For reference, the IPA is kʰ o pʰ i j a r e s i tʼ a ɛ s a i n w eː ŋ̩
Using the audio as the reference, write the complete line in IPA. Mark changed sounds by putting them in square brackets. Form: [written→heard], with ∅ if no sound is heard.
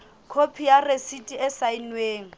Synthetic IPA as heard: kʰ o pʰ i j a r e s i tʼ [a→i] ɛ s a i n w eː ŋ̩

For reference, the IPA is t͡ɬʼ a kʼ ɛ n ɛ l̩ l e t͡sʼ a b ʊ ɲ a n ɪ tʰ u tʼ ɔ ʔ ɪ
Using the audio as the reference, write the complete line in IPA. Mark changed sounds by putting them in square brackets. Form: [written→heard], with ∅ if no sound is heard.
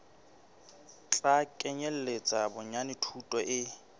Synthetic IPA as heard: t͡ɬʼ a kʼ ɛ [n→ɲ] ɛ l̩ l e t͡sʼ a b ʊ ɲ a n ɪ tʰ u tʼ ɔ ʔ ɪ

